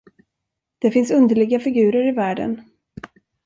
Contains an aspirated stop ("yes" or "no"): no